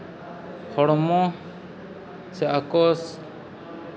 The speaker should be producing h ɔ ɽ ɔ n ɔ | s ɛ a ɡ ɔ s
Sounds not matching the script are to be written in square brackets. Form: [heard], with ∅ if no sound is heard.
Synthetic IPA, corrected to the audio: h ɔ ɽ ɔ [m] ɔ | s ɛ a [k] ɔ s